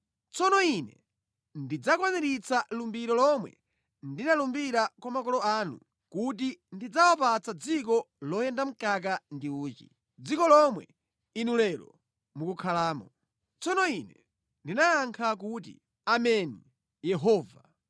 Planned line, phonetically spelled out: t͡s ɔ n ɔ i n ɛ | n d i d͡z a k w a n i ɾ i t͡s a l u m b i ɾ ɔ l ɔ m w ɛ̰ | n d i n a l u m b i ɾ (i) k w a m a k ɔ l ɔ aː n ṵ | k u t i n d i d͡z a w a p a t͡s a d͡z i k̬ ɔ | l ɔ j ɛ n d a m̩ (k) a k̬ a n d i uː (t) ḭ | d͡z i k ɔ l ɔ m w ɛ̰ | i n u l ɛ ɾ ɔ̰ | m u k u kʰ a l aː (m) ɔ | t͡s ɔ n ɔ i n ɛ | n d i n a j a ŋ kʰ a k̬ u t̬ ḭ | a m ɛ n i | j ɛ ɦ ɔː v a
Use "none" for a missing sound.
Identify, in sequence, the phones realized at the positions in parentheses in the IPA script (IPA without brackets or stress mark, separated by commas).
a, k, t͡ʃ, m